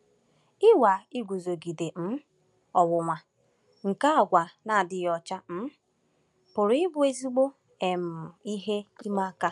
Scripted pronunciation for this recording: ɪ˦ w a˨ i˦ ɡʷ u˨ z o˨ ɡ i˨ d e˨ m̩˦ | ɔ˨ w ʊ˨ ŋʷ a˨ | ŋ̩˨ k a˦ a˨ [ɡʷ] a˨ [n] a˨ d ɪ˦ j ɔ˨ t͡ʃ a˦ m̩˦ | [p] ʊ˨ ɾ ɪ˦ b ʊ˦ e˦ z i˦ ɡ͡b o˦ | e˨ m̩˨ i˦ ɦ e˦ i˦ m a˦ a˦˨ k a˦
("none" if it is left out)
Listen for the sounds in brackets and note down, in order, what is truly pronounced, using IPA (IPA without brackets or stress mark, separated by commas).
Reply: ɡʷ, n, p